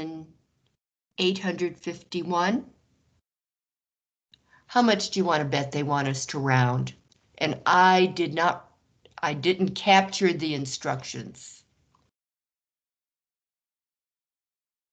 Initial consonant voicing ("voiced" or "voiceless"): voiced